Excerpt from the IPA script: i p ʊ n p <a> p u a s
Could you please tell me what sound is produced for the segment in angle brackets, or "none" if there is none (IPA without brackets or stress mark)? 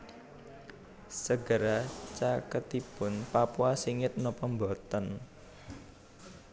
a